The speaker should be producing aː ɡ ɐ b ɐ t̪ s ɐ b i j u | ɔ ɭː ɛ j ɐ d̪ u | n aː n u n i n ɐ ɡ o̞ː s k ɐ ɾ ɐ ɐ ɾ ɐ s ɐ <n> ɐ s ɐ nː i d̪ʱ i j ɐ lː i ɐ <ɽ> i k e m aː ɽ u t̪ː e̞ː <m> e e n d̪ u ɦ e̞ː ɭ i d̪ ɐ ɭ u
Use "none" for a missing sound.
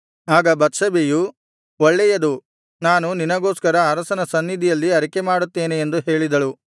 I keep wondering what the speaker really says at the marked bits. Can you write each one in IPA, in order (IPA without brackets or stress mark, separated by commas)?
n, ɾ, n